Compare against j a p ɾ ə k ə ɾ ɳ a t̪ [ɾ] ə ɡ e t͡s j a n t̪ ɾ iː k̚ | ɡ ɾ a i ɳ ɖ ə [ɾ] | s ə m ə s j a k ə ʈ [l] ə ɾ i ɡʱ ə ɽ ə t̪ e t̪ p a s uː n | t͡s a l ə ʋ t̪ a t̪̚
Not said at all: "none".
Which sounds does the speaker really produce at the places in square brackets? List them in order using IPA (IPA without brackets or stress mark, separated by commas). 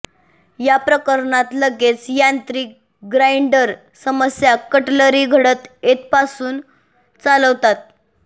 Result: l, ɾ, l